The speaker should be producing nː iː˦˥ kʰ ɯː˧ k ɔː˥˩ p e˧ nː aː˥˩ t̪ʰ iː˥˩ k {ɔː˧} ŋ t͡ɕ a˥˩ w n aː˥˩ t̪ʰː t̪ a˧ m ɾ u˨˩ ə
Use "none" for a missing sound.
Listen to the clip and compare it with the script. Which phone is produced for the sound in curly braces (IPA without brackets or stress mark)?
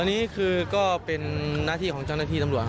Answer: ɔː˩˦